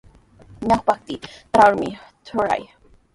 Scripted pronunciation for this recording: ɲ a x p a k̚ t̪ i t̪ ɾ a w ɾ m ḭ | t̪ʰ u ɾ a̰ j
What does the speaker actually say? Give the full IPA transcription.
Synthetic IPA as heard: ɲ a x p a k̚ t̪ i t̪ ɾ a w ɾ m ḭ | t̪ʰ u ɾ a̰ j